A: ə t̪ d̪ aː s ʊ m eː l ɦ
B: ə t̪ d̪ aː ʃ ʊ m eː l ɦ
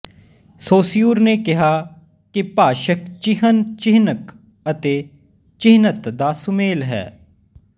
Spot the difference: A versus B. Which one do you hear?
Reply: A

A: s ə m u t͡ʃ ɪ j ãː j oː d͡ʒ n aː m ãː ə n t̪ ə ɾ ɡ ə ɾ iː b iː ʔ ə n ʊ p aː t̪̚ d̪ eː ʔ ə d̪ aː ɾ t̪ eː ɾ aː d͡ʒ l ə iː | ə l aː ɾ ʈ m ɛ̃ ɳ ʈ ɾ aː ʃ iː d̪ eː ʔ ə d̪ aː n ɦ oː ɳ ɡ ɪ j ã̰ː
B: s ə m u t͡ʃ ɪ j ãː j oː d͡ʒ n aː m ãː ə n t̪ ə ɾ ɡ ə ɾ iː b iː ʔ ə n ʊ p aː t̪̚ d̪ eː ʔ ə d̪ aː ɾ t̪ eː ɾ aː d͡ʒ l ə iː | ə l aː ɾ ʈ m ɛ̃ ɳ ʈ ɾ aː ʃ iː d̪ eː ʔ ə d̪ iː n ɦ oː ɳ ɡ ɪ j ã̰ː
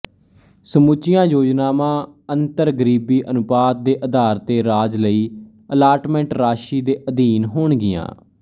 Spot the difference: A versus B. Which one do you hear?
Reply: B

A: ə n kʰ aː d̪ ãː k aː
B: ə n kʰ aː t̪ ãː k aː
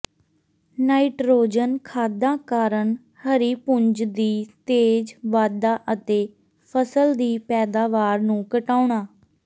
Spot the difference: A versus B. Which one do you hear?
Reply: A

